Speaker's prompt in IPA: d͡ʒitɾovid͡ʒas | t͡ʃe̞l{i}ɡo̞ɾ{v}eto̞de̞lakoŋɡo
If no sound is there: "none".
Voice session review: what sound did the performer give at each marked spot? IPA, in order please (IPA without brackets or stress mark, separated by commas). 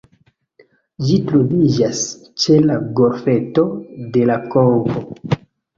a, f